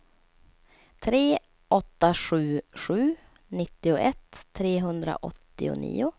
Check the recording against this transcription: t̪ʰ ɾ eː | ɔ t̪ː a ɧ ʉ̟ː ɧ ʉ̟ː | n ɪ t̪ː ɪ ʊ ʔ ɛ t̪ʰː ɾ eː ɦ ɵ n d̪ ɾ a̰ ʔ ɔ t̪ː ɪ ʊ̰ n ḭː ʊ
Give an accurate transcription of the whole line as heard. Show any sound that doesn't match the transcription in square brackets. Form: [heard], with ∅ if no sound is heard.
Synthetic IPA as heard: t̪ʰ ɾ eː | ɔ t̪ː a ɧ ʉ̟ː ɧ ʉ̟ː | n ɪ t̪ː ɪ ʊ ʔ ɛ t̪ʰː ɾ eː ɦ ɵ n d̪ ɾ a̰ ʔ ɔ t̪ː ɪ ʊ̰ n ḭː ʊ